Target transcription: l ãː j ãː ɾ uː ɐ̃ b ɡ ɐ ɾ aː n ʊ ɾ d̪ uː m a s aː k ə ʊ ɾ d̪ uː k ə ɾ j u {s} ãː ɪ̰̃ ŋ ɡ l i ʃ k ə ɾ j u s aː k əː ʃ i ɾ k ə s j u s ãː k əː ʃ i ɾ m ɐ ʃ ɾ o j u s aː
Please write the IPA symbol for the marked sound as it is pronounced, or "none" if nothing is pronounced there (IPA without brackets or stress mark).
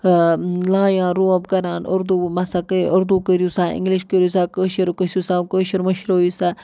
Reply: s